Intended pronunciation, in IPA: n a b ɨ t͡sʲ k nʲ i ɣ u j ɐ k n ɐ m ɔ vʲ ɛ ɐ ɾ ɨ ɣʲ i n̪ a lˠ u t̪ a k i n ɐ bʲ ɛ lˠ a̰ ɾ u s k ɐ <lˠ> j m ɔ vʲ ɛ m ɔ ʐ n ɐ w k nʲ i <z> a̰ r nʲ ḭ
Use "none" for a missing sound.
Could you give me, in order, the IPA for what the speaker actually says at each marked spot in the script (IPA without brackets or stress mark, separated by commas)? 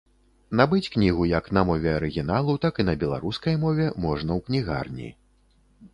none, ɣ